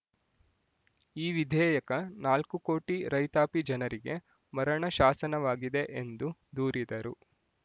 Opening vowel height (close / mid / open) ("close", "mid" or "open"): close